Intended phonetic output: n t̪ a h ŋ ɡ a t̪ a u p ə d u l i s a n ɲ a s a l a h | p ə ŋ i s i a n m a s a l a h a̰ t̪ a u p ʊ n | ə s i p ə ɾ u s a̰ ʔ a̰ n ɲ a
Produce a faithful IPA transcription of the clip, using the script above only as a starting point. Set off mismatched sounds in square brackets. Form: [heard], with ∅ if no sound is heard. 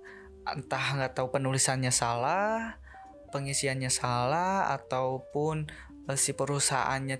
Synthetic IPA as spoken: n t̪ a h ŋ ɡ a t̪ a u p ə [n] u l i s a n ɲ a s a l a h | p ə ŋ i s i a n [ɲ] a s a l a h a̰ t̪ a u p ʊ n | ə s i p ə ɾ u s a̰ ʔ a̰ n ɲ a